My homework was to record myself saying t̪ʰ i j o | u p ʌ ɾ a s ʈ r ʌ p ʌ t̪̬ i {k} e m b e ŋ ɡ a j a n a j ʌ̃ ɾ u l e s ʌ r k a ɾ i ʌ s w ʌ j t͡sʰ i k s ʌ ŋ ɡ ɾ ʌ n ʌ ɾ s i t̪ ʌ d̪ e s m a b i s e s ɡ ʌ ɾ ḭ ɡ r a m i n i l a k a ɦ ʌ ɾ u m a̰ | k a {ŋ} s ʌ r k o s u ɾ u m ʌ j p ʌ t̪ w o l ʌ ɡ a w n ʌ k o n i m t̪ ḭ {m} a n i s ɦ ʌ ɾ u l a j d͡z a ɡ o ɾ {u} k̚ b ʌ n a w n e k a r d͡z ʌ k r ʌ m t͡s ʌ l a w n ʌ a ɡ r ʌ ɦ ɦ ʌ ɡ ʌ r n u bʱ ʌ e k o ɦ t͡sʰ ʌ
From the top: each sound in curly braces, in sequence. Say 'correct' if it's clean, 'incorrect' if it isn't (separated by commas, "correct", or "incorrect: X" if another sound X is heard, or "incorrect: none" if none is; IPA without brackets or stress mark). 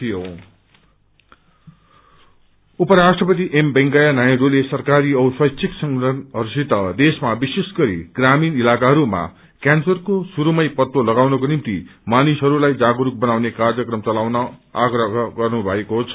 incorrect: ʔ, incorrect: n, correct, correct